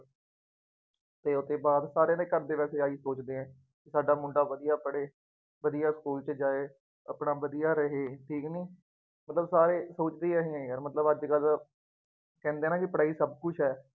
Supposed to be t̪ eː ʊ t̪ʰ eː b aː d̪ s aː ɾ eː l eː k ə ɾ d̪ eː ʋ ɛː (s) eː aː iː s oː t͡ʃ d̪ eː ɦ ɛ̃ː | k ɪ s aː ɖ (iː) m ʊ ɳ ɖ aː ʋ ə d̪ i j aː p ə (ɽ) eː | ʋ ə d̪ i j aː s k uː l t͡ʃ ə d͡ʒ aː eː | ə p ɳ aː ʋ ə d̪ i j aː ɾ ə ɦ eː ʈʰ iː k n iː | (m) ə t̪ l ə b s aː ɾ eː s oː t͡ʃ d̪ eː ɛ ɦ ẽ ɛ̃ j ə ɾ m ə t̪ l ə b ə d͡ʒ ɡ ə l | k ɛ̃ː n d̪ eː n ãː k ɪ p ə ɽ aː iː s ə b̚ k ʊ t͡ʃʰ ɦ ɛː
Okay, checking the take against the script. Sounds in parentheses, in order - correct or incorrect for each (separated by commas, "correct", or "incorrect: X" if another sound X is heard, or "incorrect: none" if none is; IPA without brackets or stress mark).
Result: correct, incorrect: aː, correct, correct